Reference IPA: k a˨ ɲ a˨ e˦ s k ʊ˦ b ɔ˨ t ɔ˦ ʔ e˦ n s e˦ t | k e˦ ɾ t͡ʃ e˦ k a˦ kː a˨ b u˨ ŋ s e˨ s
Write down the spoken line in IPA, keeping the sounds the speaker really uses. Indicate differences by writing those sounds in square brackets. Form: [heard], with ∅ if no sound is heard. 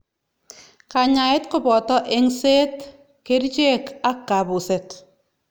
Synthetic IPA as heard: k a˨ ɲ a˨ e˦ [t] k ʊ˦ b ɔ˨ t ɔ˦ ʔ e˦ [ŋ] s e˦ t | k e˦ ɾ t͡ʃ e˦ k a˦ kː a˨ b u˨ [∅] s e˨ [t]